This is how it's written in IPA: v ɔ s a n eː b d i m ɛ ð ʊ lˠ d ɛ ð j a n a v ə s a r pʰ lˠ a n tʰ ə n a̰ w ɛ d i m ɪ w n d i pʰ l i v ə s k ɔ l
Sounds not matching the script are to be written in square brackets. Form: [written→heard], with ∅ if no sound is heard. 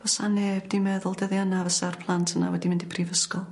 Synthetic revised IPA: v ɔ s a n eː b d i m ɛ ð ʊ lˠ d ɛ ð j a n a v ə s a r pʰ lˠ a n tʰ ə n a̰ w ɛ d i m ɪ [w→∅] n d i pʰ [l→r] i v ə s k ɔ l